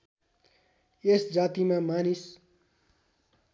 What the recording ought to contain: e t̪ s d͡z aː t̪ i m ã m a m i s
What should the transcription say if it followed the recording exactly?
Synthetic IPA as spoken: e s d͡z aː t̪ i m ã m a n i s

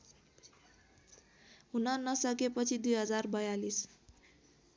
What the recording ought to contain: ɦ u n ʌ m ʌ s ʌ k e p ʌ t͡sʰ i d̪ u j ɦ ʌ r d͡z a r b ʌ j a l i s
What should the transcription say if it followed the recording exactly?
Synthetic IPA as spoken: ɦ u n ʌ n ʌ s ʌ k e p ʌ t͡sʰ i d̪ u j ɦ ʌ d͡z a r b ʌ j a l i s

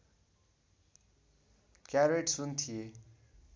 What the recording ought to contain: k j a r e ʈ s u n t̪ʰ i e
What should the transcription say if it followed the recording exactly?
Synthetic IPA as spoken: k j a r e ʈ s u n t̪ʰ i e

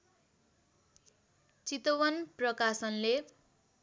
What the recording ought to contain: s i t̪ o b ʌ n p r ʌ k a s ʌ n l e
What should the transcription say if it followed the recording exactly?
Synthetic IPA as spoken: t͡s i t̪ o w ʌ n p r ʌ k a s ʌ n l e

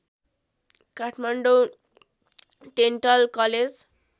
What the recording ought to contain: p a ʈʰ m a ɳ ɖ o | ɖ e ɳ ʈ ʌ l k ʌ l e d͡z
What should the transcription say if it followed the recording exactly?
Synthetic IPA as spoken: k a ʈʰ m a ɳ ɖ o | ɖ e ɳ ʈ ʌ l k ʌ l e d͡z

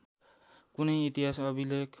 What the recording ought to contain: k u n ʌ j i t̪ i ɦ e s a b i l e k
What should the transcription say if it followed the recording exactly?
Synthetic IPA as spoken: k u n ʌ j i t̪ i ɦ a s ʌ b i l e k

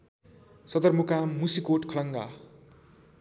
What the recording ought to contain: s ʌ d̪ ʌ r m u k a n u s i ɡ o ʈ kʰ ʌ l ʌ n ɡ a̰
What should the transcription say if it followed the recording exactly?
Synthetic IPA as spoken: s ʌ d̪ ʌ r m u k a m u s i k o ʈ kʰ ʌ l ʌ ŋ ɡ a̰

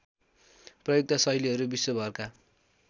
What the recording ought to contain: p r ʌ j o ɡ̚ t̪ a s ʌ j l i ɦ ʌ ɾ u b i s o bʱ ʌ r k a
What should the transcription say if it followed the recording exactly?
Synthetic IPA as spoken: p r ʌ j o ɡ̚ t̪ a s ʌ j l i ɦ ʌ ɾ u b i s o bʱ ʌ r k a

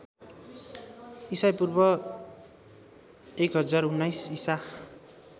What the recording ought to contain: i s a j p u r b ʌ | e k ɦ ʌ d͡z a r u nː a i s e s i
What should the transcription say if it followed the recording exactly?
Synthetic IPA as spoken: i s a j p u r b ʌ | e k ɦ ʌ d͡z a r u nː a j s i s a

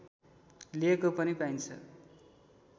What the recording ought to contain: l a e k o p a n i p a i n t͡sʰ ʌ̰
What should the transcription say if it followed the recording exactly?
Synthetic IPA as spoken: l i e k o p ʌ n i p a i n t͡sʰ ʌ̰

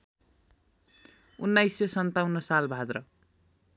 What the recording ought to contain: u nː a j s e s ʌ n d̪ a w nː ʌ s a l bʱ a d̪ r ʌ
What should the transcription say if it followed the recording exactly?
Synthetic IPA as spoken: u nː a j s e s ʌ n t̪ a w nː ʌ s a l bʱ a d̪ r ʌ

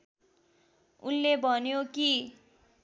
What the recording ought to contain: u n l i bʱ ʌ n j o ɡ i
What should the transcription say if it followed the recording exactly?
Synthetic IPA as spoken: u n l e bʱ ʌ n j o k i

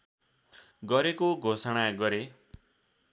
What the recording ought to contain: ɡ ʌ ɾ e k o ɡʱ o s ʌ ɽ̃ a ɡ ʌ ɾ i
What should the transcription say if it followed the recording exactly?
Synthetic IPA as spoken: ɡ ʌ ɾ e k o ɡʱ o s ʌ ɽ̃ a ɡ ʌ ɾ e

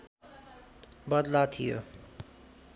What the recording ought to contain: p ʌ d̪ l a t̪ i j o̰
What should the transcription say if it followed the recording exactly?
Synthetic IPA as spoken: b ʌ d̪ l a t̪ʰ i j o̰

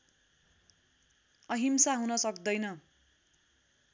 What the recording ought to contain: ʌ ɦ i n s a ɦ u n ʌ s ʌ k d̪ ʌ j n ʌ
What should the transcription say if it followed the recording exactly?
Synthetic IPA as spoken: ʌ ɦ i m s a ɦ u n ʌ s ʌ k d̪ ʌ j n ʌ

